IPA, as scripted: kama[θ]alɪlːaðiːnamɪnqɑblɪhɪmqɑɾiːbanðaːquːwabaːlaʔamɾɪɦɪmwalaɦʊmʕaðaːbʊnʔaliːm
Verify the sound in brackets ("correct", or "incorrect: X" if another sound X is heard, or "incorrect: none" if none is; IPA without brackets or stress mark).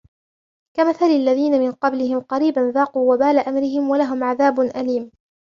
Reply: correct